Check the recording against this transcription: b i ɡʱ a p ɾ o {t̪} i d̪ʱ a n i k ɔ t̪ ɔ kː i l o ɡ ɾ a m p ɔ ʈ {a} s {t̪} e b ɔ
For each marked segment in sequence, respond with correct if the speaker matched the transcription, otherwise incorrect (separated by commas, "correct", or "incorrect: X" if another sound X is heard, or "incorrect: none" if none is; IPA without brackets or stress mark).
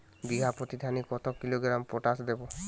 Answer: correct, correct, incorrect: d̪